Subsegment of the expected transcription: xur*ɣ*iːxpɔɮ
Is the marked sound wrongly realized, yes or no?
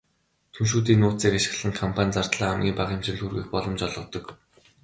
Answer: no